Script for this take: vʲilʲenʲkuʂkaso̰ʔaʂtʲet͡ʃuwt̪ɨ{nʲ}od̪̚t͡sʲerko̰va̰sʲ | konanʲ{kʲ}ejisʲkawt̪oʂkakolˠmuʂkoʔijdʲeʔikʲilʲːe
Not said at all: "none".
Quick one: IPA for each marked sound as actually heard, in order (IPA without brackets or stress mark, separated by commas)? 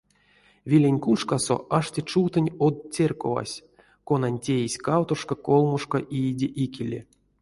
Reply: nʲ, tʲ